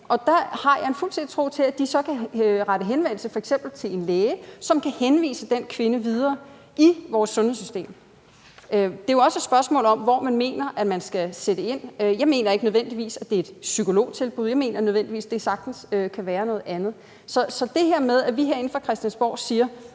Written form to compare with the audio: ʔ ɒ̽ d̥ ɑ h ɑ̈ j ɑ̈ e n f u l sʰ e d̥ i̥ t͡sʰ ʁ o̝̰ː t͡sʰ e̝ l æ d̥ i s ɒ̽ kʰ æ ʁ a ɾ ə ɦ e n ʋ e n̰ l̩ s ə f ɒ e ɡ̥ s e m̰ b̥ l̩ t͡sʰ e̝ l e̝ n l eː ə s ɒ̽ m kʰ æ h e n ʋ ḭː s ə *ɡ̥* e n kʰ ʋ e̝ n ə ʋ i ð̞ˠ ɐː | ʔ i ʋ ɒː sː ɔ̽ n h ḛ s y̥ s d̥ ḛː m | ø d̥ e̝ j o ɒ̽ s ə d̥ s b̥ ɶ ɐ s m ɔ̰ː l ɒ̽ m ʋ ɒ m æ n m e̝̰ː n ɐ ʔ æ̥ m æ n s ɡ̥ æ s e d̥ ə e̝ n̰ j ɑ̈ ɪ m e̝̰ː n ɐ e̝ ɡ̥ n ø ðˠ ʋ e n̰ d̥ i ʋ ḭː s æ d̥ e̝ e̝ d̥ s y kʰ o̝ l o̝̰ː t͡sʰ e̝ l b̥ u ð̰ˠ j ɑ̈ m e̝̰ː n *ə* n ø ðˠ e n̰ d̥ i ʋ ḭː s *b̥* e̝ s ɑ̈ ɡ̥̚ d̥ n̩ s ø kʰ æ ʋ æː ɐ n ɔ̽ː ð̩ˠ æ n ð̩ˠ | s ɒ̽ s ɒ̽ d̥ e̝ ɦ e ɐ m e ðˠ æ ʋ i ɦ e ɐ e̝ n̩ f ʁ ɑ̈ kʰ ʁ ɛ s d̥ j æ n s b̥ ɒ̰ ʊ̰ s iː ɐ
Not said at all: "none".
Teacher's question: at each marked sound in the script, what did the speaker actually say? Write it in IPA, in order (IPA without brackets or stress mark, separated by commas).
d̥, ɐ, d̥